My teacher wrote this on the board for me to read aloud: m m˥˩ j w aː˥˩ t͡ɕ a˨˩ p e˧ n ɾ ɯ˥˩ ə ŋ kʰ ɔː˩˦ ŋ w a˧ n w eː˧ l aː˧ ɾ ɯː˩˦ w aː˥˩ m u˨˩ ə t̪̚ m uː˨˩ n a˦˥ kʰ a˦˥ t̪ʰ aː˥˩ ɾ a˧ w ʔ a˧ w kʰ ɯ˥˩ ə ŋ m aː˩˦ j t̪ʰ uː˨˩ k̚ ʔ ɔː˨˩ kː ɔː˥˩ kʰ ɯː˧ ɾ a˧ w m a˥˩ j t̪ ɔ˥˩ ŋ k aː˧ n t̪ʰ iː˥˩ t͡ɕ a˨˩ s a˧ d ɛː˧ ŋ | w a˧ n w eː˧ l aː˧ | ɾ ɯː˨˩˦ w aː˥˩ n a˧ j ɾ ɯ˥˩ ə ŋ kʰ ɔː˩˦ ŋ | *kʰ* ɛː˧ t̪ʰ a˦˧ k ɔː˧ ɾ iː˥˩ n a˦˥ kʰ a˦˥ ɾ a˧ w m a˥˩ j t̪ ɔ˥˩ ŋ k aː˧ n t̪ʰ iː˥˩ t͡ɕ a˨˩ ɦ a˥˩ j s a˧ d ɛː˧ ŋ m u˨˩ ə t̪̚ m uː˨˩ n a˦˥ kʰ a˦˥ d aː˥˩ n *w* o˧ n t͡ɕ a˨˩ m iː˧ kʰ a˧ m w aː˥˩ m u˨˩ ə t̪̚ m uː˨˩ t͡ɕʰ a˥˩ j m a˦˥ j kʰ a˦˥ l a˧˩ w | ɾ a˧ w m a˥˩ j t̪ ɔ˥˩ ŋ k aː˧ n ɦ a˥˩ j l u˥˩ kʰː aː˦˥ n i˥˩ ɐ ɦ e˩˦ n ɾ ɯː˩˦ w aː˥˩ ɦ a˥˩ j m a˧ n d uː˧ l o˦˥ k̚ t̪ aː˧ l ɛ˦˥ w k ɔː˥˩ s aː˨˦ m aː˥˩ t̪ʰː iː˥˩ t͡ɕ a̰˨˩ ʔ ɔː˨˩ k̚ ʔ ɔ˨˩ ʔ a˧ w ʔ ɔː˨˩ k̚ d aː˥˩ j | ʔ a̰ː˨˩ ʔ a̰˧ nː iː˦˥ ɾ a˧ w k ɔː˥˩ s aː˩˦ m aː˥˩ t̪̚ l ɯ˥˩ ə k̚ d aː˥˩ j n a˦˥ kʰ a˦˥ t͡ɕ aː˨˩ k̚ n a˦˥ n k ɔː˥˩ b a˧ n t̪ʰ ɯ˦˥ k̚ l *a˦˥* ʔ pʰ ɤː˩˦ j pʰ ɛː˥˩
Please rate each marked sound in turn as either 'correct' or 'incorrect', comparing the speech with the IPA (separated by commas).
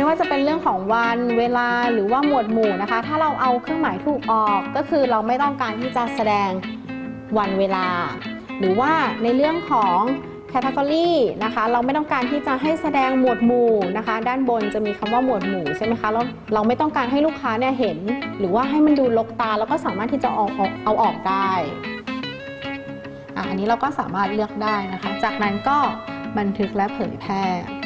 correct, incorrect, incorrect